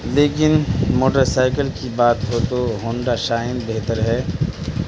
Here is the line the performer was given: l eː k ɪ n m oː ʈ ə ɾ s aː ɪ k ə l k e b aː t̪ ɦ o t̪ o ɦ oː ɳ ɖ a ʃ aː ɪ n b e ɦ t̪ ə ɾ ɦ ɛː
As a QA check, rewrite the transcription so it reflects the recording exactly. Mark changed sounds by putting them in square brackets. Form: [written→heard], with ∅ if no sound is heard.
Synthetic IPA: l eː k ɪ n m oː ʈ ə ɾ s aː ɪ k ə l k [e→i] b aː t̪ ɦ o t̪ o ɦ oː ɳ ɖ a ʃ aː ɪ n b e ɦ t̪ ə ɾ ɦ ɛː

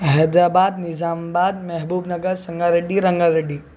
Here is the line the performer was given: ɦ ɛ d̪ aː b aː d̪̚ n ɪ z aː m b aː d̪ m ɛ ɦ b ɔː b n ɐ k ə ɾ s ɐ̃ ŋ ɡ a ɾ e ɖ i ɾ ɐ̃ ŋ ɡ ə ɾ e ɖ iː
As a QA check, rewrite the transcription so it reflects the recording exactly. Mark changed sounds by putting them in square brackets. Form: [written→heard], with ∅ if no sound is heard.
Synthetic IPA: ɦ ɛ d̪ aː b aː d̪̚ n ɪ z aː m b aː d̪ m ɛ ɦ b [ɔː→uː] b n ɐ [k→ɡ] ə ɾ s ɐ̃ ŋ ɡ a ɾ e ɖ i ɾ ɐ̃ ŋ ɡ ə ɾ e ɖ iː

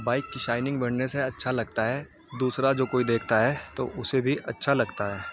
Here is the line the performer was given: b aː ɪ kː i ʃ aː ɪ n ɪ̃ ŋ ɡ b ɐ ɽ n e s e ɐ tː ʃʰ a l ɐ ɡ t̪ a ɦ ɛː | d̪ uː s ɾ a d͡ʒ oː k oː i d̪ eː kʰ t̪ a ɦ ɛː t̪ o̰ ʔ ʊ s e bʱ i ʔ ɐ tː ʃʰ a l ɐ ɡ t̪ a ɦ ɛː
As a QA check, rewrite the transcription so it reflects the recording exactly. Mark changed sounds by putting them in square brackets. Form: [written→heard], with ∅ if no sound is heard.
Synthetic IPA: b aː ɪ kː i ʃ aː ɪ n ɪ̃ ŋ ɡ b ɐ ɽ n e s e ɐ tː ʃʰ a l ɐ ɡ t̪ a ɦ ɛː | d̪ uː s ɾ a d͡ʒ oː k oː i d̪ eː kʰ t̪ a ɦ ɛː t̪ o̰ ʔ ʊ s e bʱ i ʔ ɐ tː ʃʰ a l ɐ ɡ t̪ a ɦ ɛː

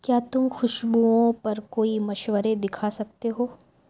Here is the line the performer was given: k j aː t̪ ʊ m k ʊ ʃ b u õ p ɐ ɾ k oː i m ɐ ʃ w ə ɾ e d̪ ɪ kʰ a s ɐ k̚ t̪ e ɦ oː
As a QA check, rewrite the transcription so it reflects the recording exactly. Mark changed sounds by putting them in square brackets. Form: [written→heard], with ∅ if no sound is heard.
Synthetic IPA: k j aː t̪ ʊ m [k→x] ʊ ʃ b u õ p ɐ ɾ k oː i m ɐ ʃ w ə ɾ e d̪ ɪ kʰ a s ɐ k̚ t̪ e ɦ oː

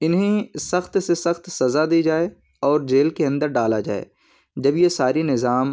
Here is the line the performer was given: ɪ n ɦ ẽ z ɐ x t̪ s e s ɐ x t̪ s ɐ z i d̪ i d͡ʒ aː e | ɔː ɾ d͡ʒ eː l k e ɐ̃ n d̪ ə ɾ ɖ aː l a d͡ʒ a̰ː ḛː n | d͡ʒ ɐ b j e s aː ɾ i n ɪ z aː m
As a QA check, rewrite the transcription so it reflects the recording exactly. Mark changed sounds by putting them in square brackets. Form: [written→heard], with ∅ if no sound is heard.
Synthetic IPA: ɪ n ɦ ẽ [z→s] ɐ x t̪ s e s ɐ x t̪ s ɐ z [i→a] d̪ i d͡ʒ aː e | ɔː ɾ d͡ʒ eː l k e ɐ̃ n d̪ ə ɾ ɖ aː l a d͡ʒ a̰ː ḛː [n→∅] | d͡ʒ ɐ b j e s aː ɾ i n ɪ z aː m

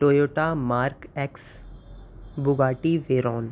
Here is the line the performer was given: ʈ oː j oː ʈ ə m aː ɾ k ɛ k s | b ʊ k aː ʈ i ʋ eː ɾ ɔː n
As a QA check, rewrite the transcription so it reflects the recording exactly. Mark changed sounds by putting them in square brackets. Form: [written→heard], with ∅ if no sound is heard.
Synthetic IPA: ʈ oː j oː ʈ [ə→a] m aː ɾ k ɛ k s | b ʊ [k→ɡ] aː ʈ i ʋ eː ɾ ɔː n

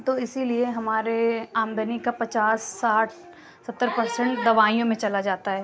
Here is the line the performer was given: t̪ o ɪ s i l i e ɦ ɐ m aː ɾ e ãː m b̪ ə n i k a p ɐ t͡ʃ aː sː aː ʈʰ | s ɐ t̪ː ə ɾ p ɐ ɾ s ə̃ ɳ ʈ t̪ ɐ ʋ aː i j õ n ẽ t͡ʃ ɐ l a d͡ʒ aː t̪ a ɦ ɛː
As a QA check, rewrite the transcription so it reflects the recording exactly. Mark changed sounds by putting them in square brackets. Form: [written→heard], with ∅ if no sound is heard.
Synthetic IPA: t̪ o ɪ s i l i e ɦ ɐ m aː ɾ e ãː m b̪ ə n i k a p ɐ t͡ʃ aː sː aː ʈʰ | s ɐ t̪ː ə ɾ p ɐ ɾ s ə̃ ɳ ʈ [t̪→d̪] ɐ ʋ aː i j õ [n→m] ẽ t͡ʃ ɐ l a d͡ʒ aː t̪ a ɦ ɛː

